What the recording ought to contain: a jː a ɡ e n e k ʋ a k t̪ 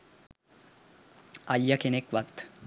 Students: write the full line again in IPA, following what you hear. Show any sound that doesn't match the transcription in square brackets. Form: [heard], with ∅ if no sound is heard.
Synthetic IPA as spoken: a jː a [k] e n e k ʋ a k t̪